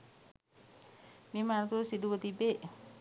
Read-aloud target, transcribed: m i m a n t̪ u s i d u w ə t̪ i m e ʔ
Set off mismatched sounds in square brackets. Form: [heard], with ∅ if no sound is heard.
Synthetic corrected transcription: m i m a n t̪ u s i d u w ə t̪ i [b] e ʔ